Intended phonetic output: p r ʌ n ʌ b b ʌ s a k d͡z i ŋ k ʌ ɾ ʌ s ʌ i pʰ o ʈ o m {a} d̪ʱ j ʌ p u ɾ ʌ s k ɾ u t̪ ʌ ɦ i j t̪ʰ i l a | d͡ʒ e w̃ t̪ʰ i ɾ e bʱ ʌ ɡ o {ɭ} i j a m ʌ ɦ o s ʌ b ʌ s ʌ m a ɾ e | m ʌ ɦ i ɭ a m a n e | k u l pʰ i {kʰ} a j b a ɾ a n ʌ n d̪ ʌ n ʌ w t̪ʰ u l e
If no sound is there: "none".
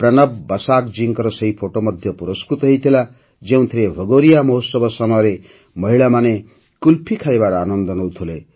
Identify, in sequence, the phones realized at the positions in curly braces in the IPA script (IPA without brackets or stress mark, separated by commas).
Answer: ʌ, ɾ, kʰ